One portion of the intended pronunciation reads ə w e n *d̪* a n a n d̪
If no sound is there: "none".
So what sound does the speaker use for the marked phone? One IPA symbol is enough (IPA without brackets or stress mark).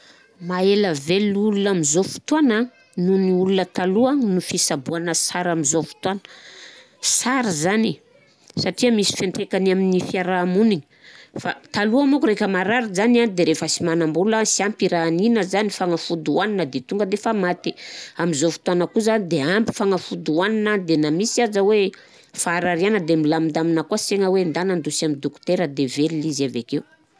d̪